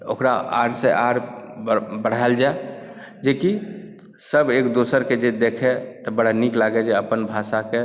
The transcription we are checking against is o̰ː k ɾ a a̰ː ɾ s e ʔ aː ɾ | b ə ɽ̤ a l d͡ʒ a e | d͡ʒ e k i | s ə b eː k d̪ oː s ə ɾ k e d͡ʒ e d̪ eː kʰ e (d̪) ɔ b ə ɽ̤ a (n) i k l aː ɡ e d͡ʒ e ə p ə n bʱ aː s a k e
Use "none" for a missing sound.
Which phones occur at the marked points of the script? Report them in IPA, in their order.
t̪, n

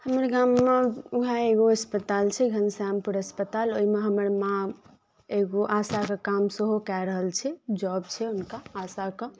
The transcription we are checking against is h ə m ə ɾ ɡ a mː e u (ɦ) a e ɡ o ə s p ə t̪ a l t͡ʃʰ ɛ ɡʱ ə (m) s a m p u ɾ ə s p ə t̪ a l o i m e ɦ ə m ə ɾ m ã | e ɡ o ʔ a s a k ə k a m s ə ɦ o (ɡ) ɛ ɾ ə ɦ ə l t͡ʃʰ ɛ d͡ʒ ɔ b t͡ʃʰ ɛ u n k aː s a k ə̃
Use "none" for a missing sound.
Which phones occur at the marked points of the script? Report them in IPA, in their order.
ɦ, n, k

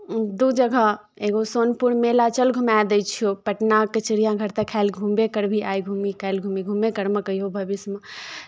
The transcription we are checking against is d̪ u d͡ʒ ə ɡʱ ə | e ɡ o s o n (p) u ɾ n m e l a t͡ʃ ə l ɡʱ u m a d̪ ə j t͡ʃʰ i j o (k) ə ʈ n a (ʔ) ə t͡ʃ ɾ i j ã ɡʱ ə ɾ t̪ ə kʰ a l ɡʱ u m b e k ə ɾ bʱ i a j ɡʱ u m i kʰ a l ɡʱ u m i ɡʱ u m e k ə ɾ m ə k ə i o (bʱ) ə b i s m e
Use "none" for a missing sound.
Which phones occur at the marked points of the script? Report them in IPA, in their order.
p, p, k, bʱ

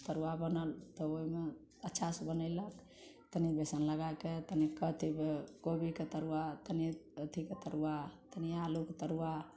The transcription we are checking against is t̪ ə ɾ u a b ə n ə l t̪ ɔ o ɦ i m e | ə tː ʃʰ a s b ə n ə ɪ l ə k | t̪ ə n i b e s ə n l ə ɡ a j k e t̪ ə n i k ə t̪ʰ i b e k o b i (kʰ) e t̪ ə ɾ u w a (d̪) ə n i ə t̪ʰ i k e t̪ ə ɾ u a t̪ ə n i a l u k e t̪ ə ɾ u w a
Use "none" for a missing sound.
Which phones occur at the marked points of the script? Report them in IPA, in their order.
k, t̪

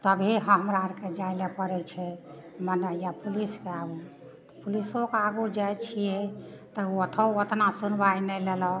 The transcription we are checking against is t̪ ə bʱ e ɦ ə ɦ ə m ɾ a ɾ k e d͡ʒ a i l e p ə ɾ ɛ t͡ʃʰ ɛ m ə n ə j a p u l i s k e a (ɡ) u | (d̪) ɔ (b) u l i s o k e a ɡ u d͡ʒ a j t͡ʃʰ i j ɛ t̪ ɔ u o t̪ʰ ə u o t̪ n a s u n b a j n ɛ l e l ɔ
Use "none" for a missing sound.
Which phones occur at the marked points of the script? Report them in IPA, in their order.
ɡ, t̪, p

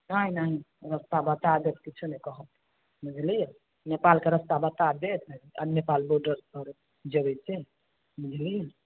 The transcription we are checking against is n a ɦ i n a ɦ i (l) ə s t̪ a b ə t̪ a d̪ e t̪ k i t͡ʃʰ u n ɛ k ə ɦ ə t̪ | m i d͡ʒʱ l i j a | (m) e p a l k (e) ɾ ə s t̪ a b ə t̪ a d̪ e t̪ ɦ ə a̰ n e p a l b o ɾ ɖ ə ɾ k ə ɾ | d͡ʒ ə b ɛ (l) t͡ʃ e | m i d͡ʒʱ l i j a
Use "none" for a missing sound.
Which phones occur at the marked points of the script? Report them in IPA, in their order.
ɾ, n, e, none

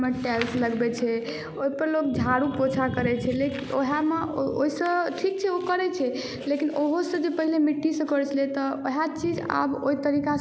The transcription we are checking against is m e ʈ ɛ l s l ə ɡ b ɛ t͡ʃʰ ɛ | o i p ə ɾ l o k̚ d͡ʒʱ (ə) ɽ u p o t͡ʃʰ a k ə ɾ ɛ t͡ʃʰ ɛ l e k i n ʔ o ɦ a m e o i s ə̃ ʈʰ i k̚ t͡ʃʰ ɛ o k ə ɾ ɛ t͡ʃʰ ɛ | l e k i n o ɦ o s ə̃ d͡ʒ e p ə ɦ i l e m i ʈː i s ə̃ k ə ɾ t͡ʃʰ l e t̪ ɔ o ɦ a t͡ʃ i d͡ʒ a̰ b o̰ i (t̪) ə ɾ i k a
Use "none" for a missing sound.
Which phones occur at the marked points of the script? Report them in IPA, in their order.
a, t̪

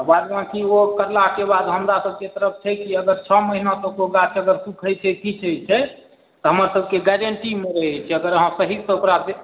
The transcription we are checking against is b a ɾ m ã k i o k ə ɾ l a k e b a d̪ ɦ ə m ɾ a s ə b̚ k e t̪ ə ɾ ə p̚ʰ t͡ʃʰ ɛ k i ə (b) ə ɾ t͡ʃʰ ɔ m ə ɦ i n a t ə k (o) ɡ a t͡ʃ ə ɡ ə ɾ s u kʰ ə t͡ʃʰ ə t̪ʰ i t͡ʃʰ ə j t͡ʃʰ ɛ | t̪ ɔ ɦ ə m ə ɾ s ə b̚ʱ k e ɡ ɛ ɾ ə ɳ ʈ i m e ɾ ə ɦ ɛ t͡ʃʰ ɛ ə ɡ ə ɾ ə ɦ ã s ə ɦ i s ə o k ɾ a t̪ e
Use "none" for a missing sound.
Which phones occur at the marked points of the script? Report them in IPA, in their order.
ɡ, o

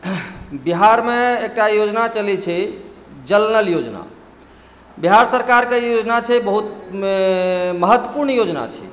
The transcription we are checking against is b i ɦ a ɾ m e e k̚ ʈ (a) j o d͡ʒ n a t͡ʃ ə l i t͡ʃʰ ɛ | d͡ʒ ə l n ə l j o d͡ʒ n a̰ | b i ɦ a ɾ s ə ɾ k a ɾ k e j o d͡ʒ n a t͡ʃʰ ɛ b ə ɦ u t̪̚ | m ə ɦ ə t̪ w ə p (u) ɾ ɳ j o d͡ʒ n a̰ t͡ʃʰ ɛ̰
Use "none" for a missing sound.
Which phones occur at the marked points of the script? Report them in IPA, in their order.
a, u

